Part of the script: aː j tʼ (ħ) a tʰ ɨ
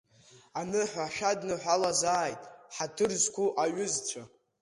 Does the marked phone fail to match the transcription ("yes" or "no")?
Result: no